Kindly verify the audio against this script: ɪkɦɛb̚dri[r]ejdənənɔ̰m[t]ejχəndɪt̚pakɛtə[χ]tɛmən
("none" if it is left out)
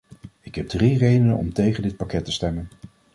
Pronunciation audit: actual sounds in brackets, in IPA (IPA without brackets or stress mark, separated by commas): r, t, s